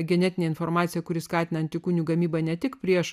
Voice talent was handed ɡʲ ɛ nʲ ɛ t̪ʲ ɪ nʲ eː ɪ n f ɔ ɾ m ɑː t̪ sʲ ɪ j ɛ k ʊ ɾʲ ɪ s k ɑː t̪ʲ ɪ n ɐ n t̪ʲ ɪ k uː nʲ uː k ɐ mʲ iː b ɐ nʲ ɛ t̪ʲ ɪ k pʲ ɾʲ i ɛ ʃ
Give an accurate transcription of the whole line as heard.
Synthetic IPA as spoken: ɡʲ ɛ nʲ ɛ t̪ʲ ɪ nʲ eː ɪ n f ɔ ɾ m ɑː t̪ sʲ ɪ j ɛ k ʊ ɾʲ ɪ s k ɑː t̪ʲ ɪ n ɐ n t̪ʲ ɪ k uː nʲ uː ɡ ɐ mʲ iː b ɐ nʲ ɛ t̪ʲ ɪ k pʲ ɾʲ i ɛ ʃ